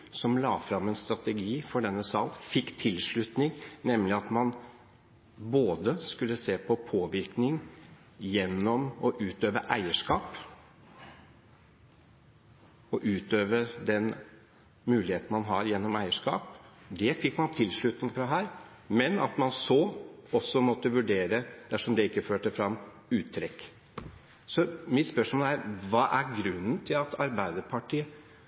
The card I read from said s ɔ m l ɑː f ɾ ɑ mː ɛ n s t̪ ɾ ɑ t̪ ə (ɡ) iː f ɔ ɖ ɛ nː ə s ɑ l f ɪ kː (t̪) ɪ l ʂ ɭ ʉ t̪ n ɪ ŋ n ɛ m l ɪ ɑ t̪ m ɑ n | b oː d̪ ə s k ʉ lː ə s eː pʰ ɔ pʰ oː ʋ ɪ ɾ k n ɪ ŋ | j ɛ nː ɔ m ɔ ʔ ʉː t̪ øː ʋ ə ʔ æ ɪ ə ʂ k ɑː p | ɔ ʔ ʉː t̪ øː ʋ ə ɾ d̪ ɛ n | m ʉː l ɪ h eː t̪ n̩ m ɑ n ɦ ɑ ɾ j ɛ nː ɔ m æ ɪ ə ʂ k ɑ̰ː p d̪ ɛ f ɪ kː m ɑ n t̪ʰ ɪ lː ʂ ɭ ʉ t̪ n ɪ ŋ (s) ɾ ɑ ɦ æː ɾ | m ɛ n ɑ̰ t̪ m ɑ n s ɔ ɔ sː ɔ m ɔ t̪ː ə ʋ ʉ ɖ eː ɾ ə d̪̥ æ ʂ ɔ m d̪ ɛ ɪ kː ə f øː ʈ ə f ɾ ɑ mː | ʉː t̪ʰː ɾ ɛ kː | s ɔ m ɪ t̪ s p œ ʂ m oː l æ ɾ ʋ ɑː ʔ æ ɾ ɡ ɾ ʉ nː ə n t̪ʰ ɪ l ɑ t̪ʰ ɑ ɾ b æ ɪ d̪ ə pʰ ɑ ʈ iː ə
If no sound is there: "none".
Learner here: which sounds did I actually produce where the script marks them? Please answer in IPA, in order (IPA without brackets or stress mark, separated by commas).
ɡ, t̪ʰ, f